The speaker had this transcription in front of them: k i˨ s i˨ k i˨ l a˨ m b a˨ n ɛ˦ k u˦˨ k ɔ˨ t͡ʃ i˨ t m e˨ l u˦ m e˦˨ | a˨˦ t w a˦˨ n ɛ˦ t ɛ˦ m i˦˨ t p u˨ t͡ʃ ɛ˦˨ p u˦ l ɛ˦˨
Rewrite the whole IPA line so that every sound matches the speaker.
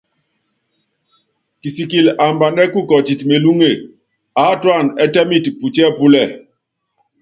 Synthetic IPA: k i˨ s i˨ k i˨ l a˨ m b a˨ n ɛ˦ k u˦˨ k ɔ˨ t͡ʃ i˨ t m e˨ l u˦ ŋ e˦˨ | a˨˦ t w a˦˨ n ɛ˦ t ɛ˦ m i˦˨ t p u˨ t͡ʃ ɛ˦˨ p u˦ l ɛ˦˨